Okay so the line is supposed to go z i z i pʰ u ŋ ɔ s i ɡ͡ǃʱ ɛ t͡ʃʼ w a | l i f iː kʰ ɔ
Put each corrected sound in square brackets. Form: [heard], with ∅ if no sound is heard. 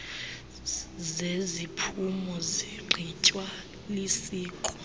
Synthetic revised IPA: z [e] z i pʰ u [m] ɔ [z] i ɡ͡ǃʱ [i] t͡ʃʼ w a | l i [s] iː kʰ ɔ